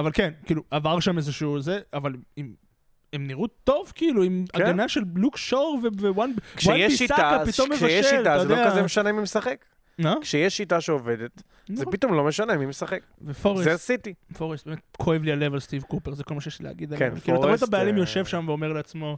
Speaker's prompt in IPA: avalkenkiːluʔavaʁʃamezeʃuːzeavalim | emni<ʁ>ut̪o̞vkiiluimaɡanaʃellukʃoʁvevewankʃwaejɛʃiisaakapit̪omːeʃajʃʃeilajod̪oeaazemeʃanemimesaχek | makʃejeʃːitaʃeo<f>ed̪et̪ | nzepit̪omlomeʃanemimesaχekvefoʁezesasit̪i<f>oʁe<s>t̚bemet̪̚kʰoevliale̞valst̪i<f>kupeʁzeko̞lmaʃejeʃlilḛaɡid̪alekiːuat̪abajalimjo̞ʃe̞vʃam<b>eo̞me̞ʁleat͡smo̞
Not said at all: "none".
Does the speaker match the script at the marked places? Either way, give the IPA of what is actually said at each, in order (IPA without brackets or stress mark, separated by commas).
ʁ, v, f, s, v, v